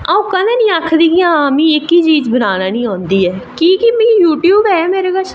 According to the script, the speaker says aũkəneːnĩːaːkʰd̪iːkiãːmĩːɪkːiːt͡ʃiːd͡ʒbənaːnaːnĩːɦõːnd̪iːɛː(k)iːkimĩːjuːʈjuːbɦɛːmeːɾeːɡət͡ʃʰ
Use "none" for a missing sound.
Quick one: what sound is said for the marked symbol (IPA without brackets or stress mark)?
k